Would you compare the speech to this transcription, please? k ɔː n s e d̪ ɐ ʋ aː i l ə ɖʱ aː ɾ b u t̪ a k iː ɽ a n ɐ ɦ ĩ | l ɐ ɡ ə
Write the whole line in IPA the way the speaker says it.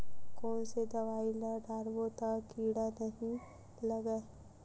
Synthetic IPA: k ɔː n s e d̪ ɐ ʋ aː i l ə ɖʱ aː ɾ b o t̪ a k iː ɽ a n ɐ ɦ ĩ | l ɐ ɡ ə